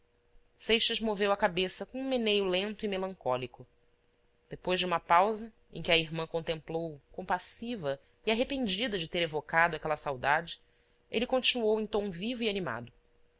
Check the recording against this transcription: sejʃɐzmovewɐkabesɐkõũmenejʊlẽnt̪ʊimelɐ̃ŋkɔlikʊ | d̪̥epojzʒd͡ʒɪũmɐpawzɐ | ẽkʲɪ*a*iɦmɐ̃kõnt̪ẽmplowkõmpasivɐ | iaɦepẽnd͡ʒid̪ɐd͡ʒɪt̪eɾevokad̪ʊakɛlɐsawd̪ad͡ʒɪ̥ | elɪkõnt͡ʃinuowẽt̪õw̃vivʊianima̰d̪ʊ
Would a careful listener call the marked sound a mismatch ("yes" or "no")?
yes